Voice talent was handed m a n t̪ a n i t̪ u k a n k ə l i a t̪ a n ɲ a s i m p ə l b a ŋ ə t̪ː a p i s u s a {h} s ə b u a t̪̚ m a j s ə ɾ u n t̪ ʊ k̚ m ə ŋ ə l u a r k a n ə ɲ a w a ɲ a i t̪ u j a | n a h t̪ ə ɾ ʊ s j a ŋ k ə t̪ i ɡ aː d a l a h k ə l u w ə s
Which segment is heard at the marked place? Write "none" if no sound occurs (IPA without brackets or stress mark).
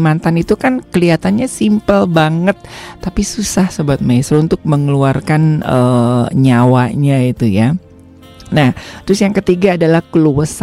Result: h